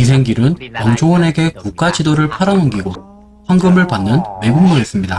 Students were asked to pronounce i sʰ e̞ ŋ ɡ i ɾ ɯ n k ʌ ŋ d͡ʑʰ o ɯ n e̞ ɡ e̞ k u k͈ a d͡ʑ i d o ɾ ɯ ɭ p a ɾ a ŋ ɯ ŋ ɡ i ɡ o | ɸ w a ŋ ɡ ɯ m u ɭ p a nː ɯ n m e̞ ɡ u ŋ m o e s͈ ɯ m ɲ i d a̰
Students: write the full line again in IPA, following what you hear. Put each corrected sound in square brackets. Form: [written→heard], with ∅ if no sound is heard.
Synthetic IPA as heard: i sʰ e̞ ŋ ɡ i ɾ ɯ n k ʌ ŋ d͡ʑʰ o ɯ n e̞ ɡ e̞ k u k͈ a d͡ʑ i d o ɾ ɯ ɭ [p→pʰ] a ɾ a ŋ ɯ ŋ ɡ i ɡ o | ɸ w a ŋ ɡ ɯ m [u→ɯ] ɭ p a nː ɯ n m e̞ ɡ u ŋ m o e s͈ ɯ m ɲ i d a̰

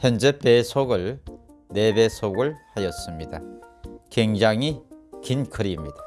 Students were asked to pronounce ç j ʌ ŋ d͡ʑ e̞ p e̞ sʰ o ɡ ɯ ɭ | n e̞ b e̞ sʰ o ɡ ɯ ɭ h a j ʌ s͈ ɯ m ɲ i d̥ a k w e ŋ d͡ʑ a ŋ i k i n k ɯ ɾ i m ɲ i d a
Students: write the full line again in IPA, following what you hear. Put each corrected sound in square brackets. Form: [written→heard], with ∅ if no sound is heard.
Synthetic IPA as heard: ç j ʌ [ŋ→n] d͡ʑ e̞ p e̞ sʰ o ɡ ɯ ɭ | n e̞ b e̞ sʰ o ɡ ɯ ɭ h a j ʌ s͈ ɯ m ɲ i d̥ a k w e ŋ d͡ʑ a ŋ i k i n [k→kʰ] ɯ ɾ i m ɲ i d a

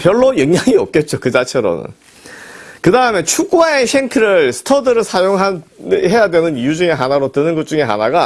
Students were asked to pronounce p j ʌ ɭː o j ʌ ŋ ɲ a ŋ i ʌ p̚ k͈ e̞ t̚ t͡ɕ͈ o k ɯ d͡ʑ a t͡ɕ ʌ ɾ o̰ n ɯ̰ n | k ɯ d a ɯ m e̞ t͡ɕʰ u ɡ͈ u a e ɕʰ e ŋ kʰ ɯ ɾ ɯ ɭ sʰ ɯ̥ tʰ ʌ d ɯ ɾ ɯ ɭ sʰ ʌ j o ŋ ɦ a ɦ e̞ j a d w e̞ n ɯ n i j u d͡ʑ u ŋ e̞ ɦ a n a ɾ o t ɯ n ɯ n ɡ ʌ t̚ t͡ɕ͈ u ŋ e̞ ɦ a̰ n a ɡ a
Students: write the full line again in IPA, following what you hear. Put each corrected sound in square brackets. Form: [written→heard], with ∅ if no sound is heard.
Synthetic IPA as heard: p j ʌ ɭː o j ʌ ŋ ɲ a ŋ i ʌ p̚ k͈ e̞ t̚ t͡ɕ͈ o k ɯ d͡ʑ a [t͡ɕ→t͡ɕʰ] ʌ ɾ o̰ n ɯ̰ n | k ɯ d a ɯ m e̞ t͡ɕʰ u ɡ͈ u a e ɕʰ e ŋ kʰ ɯ ɾ ɯ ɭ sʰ ɯ̥ tʰ ʌ d ɯ ɾ ɯ ɭ sʰ [ʌ→a] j o ŋ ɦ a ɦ e̞ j a d w e̞ n ɯ n i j u d͡ʑ u ŋ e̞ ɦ a n a ɾ o t ɯ n ɯ n ɡ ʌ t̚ t͡ɕ͈ u ŋ e̞ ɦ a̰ n a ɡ a

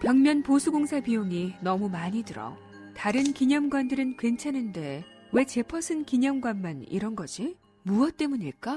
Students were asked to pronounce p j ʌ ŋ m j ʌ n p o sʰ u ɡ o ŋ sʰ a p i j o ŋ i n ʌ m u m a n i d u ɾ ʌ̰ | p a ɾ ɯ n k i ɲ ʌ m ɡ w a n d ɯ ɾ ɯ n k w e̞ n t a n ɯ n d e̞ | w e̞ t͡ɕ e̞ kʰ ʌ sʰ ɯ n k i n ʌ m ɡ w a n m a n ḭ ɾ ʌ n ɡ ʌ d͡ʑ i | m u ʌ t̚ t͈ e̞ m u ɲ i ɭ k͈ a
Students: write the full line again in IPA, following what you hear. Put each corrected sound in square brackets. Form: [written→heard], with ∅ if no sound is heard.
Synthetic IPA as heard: p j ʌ ŋ m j ʌ n p o sʰ u ɡ o ŋ sʰ a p i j o ŋ i n ʌ m u m a [n→ɲ] i d [u→ɯ] ɾ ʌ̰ | [p→t] a ɾ ɯ n k i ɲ ʌ m ɡ w a n d ɯ ɾ ɯ n k w e̞ n [t→t͡ɕʰ] a n ɯ n d e̞ | w e̞ t͡ɕ e̞ [kʰ→pʰ] ʌ sʰ ɯ n k i [n→ɲ] ʌ m ɡ w a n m a n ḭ ɾ ʌ n ɡ ʌ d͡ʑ i | m u ʌ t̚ t͈ e̞ m u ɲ i ɭ k͈ a

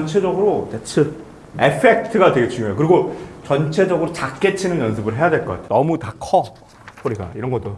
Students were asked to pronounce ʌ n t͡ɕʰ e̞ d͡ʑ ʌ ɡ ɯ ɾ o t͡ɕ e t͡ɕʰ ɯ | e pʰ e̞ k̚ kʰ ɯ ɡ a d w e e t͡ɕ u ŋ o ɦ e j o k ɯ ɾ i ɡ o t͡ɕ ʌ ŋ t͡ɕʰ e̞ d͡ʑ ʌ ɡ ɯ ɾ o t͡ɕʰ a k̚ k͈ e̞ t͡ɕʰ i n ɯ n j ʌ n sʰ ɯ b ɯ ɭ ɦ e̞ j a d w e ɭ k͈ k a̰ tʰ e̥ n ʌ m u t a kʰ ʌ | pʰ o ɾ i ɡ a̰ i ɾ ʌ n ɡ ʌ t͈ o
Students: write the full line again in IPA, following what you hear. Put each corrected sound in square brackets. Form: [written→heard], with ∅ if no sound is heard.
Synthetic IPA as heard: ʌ n t͡ɕʰ e̞ d͡ʑ ʌ ɡ ɯ ɾ o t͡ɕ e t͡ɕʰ ɯ | e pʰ e̞ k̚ [kʰ→tʰ] ɯ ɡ a d w e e t͡ɕ u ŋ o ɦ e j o k ɯ ɾ i ɡ o t͡ɕ ʌ [ŋ→n] t͡ɕʰ e̞ d͡ʑ ʌ ɡ ɯ ɾ o [t͡ɕʰ→t͡ɕ] a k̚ k͈ e̞ t͡ɕʰ i n ɯ n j ʌ n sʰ ɯ b ɯ ɭ ɦ e̞ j a d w e ɭ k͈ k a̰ tʰ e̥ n ʌ m u t a kʰ ʌ | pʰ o ɾ i ɡ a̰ i ɾ ʌ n ɡ ʌ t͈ o

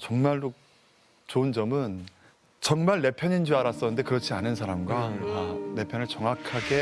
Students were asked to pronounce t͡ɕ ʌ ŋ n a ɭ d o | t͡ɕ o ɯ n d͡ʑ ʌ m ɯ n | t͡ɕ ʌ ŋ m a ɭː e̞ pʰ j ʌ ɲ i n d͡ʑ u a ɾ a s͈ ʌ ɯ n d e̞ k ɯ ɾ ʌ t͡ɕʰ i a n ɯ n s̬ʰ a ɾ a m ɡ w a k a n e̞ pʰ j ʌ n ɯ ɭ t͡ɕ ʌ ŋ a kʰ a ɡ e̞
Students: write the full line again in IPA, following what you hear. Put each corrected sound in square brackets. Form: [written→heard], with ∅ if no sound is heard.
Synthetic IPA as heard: t͡ɕ ʌ ŋ [n→m] a ɭ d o | t͡ɕ o ɯ n d͡ʑ ʌ m ɯ n | t͡ɕ ʌ ŋ m a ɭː e̞ pʰ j ʌ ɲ i n d͡ʑ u a ɾ a s͈ ʌ ɯ n d e̞ k ɯ ɾ ʌ t͡ɕʰ i a n ɯ n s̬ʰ a ɾ a m ɡ w a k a n e̞ pʰ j ʌ n ɯ ɭ t͡ɕ ʌ ŋ a kʰ a ɡ e̞

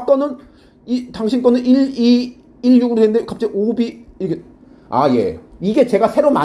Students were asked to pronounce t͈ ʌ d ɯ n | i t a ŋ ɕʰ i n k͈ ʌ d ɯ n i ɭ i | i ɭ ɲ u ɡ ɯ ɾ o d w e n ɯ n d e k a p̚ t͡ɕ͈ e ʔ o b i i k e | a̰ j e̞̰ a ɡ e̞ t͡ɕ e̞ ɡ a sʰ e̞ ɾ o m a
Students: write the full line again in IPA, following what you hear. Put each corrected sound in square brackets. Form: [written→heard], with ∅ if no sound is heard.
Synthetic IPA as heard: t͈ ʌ [d→n] ɯ n | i t a ŋ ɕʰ i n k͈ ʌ [d→n] ɯ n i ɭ i | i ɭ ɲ u ɡ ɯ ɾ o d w e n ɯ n d e k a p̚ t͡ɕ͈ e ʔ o b i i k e | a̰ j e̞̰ [a→i] ɡ e̞ t͡ɕ e̞ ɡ a sʰ e̞ ɾ o m a

